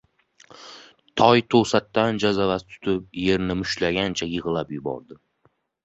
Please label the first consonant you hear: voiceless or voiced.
voiceless